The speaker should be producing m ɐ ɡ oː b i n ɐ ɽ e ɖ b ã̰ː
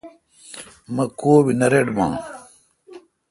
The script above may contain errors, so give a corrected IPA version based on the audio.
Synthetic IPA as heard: m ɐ k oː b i n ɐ ɾ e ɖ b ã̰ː